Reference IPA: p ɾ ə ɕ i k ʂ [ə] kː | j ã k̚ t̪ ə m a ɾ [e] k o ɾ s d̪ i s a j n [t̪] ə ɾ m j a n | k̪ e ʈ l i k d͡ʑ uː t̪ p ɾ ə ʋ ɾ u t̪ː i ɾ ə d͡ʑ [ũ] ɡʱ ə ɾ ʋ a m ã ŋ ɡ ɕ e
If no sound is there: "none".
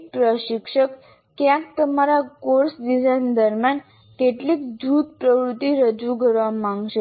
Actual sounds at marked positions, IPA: ə, a, d̪, u

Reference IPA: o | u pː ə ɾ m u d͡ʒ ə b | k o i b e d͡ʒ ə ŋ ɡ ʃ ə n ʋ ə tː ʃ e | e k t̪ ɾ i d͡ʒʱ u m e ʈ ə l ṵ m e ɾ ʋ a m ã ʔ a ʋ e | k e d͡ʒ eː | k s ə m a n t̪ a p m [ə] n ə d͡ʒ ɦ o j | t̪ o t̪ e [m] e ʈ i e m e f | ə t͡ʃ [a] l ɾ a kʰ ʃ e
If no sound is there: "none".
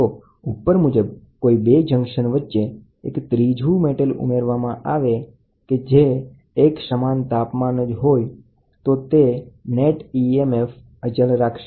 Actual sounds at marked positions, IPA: a, n, ə

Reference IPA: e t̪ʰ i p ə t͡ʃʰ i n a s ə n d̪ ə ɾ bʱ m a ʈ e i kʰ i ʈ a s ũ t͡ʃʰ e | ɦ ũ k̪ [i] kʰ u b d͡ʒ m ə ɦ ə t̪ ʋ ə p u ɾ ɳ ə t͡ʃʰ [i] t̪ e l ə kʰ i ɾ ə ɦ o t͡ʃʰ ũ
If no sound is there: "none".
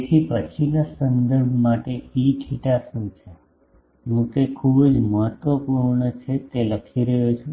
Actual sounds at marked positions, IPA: e, e

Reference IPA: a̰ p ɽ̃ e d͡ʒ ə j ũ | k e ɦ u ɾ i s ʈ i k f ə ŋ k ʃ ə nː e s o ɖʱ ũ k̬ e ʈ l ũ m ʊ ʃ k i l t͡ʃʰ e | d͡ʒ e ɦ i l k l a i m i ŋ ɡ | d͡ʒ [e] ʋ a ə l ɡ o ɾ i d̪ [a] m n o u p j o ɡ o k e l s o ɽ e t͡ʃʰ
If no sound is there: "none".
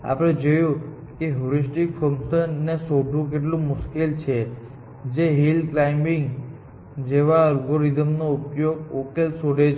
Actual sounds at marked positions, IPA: e, ə

